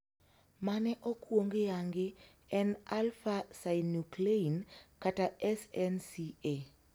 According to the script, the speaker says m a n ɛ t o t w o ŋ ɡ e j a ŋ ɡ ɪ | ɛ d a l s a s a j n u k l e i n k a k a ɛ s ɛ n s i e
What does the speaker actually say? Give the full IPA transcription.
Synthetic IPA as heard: m a n ɛ ʔ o k w o ŋ ɡ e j a ŋ ɡ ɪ | ɛ n a l f a s a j n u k l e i n k a t a ɛ s ɛ n s i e

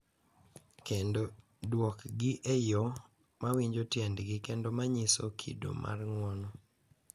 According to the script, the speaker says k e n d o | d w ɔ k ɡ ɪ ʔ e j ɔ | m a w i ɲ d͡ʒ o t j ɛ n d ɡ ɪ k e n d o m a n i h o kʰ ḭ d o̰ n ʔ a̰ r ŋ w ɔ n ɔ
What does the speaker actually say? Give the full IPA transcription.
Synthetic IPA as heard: k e n d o | d w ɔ k ɡ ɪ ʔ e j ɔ | m a w i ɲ d͡ʒ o t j ɛ n d ɡ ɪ k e n d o m a ɲ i s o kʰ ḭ d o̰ m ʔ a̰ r ŋ w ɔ n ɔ

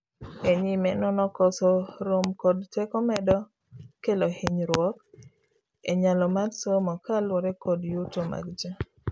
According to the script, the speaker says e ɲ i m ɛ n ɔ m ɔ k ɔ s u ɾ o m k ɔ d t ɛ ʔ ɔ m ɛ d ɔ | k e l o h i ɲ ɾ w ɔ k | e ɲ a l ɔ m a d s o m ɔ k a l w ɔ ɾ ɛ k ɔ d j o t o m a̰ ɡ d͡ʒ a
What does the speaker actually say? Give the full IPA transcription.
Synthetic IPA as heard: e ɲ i m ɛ n ɔ n ɔ k ɔ s ɔ ɾ o m k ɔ d t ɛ k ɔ m ɛ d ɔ | k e l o h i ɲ ɾ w ɔ k | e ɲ a l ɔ m a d s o m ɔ k a l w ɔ ɾ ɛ k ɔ d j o t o m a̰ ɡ d͡ʒ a

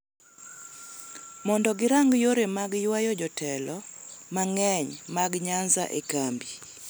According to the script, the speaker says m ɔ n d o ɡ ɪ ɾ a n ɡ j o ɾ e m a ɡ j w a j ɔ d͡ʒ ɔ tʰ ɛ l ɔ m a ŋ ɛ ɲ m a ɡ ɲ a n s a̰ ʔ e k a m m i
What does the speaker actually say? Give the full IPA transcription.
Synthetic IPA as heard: m ɔ n d ɔ ɡ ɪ ɾ a ŋ ɡ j o ɾ e m a ɡ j w a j ɔ d͡ʒ ɔ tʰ ɛ l ɔ m a ŋ ɛ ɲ m a ɡ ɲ a n z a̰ ʔ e k a m b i

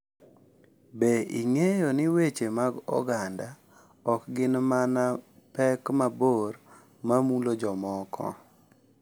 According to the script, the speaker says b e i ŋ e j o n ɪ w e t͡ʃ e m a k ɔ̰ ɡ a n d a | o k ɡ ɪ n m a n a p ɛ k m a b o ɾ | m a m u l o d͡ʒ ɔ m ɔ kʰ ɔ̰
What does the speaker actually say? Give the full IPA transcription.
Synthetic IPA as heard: b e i ŋ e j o n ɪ w e t͡ʃ e m a ɡ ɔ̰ ɡ a n d a | ɔ k ɡ ɪ n m a n a p ɛ k m a b o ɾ | m a m u l o d͡ʒ ɔ m ɔ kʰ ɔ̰

